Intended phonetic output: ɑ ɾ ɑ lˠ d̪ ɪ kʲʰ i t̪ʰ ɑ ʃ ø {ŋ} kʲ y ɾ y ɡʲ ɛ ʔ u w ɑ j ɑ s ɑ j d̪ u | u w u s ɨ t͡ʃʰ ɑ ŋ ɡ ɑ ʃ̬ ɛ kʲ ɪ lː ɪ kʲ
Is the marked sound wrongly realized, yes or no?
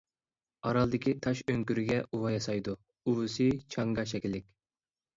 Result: no